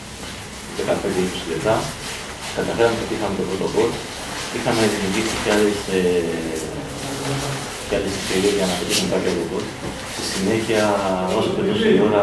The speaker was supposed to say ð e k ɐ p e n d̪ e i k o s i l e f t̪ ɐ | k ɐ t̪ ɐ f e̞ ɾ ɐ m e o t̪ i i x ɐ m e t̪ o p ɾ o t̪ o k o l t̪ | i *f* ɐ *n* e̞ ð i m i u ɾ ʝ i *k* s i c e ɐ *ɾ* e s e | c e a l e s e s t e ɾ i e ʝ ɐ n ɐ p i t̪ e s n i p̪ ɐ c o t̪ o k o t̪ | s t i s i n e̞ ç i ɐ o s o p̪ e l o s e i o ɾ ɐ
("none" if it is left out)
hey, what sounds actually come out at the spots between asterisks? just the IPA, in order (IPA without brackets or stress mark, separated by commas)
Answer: x, m, k, l